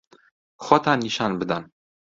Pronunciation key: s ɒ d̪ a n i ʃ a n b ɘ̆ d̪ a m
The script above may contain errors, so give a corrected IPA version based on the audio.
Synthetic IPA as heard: χ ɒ t̪ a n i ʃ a n b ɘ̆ d̪ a n